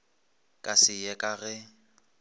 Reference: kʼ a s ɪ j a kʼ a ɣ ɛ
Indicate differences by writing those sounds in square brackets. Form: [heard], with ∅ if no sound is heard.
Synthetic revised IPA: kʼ a s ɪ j [ɛ] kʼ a ɣ ɛ